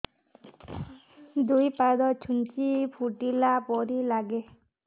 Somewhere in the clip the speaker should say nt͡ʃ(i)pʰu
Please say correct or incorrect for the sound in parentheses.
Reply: correct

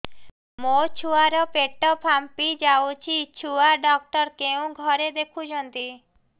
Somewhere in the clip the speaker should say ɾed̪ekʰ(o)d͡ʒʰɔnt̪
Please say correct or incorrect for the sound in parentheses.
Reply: incorrect: u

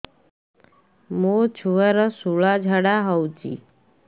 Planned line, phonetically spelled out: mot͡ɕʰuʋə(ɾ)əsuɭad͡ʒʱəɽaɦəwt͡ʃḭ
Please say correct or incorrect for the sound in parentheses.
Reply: correct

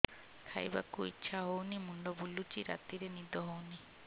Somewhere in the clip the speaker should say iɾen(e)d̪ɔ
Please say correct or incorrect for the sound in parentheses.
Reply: incorrect: i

